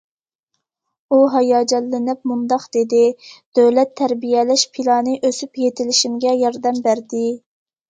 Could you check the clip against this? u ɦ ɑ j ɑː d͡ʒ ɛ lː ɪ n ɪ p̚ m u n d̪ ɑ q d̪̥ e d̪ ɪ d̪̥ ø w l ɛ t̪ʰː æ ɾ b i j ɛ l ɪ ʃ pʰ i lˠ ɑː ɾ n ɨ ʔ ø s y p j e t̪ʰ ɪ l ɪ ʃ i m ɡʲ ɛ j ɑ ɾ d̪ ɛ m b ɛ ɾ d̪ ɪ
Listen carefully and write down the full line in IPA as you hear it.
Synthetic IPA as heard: u ɦ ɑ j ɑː d͡ʒ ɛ lː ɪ n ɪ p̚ m u n d̪ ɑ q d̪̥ e d̪ ɪ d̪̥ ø w l ɛ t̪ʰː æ ɾ b i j ɛ l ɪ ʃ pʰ i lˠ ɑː n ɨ ʔ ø s y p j e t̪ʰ ɪ l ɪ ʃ i m ɡʲ ɛ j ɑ ɾ d̪ ɛ m b æ ɾ d̪ ɪ